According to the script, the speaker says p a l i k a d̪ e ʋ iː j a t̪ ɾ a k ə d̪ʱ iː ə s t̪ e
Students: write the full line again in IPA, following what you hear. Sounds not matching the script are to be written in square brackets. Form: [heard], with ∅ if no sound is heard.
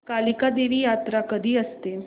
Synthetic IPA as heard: [k] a l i k a d̪ e ʋ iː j a t̪ ɾ a k ə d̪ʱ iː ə s t̪ e

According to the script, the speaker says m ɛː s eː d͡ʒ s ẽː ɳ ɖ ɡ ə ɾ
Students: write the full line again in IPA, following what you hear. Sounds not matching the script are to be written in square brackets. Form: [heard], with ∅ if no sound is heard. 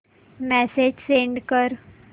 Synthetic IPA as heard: m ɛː s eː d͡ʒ s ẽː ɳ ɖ [k] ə ɾ

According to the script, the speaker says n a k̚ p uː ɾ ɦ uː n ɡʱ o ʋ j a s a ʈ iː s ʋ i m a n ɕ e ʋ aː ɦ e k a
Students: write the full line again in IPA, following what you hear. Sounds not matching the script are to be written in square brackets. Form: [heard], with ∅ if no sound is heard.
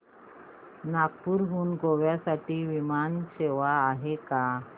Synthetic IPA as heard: n a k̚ p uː ɾ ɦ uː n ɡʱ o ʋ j a s a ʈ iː [∅] ʋ i m a n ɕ e ʋ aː ɦ e k a

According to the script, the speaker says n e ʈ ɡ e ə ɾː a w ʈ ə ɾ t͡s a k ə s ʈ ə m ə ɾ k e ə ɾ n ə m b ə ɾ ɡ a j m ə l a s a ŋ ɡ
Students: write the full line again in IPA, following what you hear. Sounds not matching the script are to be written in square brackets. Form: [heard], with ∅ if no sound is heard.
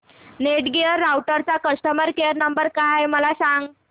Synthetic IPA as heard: n e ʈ ɡ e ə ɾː a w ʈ ə ɾ t͡s a k ə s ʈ ə m ə ɾ k e ə ɾ n ə m b ə ɾ [k] a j m ə l a s a ŋ ɡ

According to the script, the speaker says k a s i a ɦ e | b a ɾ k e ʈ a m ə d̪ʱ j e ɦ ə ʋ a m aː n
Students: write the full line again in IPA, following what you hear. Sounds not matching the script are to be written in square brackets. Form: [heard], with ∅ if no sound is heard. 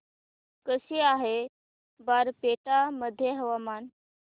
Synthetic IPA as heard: k [ə] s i a ɦ e | b a ɾ [p] e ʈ a m ə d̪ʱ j e ɦ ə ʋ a m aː n

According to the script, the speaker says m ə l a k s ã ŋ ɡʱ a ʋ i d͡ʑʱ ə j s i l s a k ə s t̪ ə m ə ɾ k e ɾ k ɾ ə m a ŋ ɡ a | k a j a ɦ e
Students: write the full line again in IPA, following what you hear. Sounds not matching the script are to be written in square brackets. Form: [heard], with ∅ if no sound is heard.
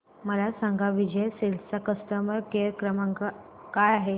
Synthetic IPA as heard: m ə l a [∅] s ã ŋ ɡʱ a ʋ i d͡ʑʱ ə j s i l s a k ə s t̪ ə m ə ɾ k e ɾ k ɾ ə m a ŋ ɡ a | k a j a ɦ e

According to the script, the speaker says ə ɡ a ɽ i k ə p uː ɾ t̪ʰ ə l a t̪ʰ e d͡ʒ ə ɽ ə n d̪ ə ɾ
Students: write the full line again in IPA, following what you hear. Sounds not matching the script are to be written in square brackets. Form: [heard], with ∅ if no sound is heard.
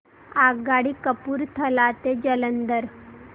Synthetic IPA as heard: [a] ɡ a ɽ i k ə p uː ɾ t̪ʰ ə l a [t̪] e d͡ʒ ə [l] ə n d̪ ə ɾ

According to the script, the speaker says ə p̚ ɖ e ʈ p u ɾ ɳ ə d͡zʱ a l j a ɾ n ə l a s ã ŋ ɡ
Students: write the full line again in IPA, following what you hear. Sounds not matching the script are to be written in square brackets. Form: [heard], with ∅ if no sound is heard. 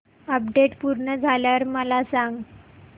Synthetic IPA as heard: ə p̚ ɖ e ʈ p u ɾ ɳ ə d͡zʱ a l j a ɾ [m] ə l a s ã ŋ ɡ

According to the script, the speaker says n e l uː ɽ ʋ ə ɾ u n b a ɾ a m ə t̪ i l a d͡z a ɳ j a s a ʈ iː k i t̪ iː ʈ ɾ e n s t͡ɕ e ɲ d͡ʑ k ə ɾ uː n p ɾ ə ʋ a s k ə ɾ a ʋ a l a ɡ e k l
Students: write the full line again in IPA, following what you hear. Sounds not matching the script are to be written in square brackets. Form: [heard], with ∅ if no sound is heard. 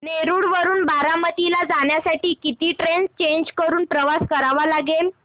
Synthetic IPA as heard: n e [ɾ] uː ɽ ʋ ə ɾ [uː] n b a ɾ a m ə t̪ i l a d͡z a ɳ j a s a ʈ iː k i t̪ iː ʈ ɾ e n s t͡ɕ e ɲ d͡ʑ k ə ɾ uː n p ɾ ə ʋ a s k ə ɾ a ʋ a l a ɡ e [∅] l

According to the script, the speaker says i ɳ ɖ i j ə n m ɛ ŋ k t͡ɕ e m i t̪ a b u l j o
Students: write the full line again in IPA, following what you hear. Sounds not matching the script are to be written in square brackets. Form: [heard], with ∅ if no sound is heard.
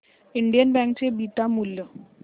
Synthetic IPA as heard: i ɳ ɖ i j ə n [b] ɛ ŋ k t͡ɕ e [b] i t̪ a [m] u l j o

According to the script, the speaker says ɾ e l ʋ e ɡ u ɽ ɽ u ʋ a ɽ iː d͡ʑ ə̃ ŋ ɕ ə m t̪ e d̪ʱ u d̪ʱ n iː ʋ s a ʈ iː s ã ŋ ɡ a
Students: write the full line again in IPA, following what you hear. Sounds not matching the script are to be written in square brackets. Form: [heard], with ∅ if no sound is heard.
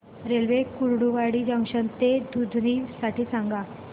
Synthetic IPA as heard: ɾ e l ʋ e [k] u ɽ ɽ u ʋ a ɽ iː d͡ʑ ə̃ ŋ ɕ ə [n] t̪ e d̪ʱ u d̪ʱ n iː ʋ s a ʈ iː s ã ŋ ɡ a

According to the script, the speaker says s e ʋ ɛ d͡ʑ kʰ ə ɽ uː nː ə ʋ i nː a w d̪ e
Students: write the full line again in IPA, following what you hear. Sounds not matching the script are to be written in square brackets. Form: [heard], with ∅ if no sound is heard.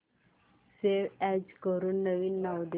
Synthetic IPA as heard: s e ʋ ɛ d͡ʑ [k] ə [ɾ] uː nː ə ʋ i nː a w d̪ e

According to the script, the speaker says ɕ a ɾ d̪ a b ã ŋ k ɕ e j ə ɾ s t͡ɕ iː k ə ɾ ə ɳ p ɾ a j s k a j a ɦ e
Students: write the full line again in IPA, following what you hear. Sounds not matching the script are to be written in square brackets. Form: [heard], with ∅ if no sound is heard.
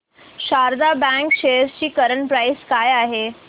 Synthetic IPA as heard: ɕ a ɾ d̪ a b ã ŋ k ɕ e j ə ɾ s t͡ɕ iː k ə ɾ ə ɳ p ɾ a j s k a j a ɦ e

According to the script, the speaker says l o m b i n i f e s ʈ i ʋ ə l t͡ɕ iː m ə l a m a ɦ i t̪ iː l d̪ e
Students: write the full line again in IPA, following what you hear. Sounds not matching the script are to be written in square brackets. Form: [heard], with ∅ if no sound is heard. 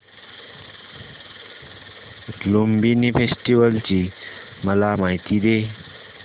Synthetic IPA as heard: l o m b i n i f e s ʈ i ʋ ə l t͡ɕ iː m ə l a m a ɦ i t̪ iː [∅] d̪ e

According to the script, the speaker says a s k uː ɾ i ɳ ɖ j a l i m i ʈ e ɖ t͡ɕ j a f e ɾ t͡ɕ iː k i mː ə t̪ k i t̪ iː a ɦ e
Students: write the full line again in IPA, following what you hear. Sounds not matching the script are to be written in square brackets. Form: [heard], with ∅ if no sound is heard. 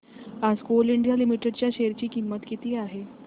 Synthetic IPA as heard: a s k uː [l] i ɳ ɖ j a l i m i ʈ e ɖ t͡ɕ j a [ɕ] e ɾ t͡ɕ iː k i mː ə t̪ k i t̪ iː a ɦ e

